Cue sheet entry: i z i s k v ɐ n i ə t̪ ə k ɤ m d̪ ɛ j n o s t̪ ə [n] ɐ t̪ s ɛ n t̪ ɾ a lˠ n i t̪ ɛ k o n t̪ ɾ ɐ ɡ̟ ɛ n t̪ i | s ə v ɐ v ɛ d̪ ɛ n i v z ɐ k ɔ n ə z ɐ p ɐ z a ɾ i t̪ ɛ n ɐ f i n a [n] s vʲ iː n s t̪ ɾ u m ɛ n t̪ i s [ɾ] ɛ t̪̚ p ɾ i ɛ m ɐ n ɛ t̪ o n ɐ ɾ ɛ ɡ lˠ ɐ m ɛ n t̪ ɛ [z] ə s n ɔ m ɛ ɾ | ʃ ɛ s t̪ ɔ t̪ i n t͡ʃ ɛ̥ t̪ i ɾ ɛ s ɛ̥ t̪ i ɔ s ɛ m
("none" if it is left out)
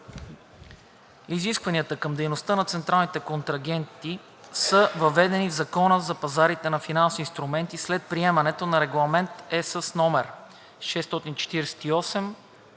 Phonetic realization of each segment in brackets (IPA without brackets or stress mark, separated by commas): n, n, l, s